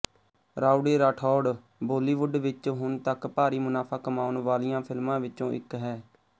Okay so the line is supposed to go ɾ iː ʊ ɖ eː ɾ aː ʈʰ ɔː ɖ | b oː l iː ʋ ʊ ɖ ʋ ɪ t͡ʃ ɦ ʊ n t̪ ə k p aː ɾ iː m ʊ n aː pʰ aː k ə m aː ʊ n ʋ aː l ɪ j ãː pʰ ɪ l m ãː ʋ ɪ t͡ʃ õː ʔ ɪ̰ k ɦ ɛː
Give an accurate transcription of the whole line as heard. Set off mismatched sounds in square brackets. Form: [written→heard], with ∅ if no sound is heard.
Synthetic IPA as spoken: ɾ [iː→aː] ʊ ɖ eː ɾ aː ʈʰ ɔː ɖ | b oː l iː ʋ ʊ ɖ ʋ ɪ t͡ʃ ɦ ʊ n t̪ ə k p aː ɾ iː m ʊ n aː pʰ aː k ə m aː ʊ n ʋ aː l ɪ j ãː pʰ ɪ l m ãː ʋ ɪ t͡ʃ õː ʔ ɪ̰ k ɦ ɛː